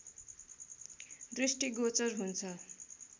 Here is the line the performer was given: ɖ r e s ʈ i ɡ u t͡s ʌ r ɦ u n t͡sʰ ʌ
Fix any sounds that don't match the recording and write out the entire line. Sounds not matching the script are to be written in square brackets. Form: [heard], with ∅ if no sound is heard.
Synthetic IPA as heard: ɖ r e s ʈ i ɡ [o] t͡s ʌ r ɦ u n t͡sʰ ʌ